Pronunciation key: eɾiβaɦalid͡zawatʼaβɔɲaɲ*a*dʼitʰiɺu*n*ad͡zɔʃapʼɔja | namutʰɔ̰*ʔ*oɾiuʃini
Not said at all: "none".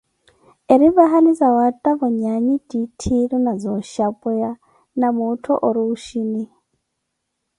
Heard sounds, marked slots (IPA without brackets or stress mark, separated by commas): i, n, ʔ